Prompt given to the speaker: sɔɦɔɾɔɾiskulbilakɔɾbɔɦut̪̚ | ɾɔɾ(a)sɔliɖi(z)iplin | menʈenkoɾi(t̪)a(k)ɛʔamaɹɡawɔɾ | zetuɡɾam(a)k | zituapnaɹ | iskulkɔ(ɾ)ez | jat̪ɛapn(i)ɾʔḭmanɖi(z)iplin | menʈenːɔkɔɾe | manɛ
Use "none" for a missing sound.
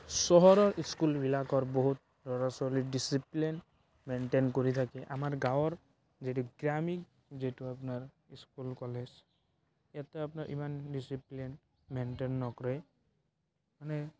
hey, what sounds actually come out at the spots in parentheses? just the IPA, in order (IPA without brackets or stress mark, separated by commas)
a, s, t̪ʰ, k, i, l, a, s